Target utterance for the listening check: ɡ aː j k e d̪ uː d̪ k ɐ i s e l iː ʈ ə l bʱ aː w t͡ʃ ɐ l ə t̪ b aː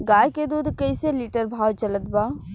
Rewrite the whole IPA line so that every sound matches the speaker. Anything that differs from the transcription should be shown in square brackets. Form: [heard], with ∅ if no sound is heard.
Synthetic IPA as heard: ɡ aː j k e d̪ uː d̪ k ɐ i s e l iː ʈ ə [ɾ] bʱ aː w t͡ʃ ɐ l ə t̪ b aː